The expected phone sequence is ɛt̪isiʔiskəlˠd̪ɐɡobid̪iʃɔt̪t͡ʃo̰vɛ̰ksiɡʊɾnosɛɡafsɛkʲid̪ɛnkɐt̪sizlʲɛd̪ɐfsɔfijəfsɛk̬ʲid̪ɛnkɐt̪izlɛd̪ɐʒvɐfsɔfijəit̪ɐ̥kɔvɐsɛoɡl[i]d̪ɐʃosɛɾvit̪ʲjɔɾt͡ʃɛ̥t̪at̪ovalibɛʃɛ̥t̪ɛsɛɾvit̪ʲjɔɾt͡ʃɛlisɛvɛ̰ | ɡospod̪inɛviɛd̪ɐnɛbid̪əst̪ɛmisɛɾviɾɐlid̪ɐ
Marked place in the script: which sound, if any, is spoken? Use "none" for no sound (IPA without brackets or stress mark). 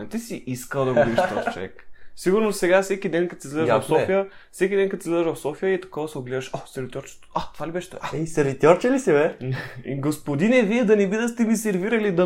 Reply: ɛ